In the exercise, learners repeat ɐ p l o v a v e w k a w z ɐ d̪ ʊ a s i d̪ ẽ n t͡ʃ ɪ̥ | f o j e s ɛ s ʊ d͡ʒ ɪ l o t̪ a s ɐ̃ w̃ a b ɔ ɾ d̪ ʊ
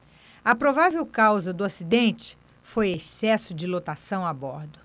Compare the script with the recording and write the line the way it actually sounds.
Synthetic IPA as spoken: ɐ p ɾ o v a v e w k a w z ɐ d̪ ʊ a s i d̪ ẽ n t͡ʃ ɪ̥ | f o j e s ɛ s ʊ d͡ʒ ɪ l o t̪ a s ɐ̃ w̃ a b ɔ ɾ d̪ ʊ

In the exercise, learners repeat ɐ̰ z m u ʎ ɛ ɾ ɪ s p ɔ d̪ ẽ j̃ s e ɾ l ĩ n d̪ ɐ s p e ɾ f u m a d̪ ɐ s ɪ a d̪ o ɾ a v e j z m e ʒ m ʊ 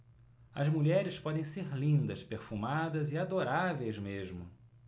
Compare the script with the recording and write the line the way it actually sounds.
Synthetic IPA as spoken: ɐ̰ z m u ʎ ɛ ɾ ɪ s p ɔ d̪ ẽ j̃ s e ɾ l ĩ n d̪ ɐ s p e ɾ f u m a d̪ ɐ z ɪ a d̪ o ɾ a v e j z m e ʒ m ʊ

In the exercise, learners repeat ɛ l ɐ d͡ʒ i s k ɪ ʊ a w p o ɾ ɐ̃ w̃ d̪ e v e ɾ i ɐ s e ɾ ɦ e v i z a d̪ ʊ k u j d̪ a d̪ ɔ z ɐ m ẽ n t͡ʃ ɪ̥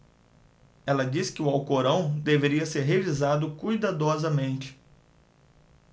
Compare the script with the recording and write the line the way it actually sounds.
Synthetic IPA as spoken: ɛ l ɐ d͡ʒ i s k ɪ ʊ a w k o ɾ ɐ̃ w̃ d̪ e v e ɾ i ɐ s e ɾ ɦ e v i z a d̪ ʊ k u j d̪ a d̪ ɔ z ɐ m ẽ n t͡ʃ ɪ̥

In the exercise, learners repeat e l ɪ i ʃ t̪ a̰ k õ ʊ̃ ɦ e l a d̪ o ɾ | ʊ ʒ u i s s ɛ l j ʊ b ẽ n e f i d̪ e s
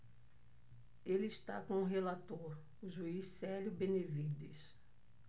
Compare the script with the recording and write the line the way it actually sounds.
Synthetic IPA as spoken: e l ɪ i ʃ t̪ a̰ k õ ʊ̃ ɦ e l a t̪ o ɾ | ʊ ʒ u i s s ɛ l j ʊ b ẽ n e v i d̪ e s

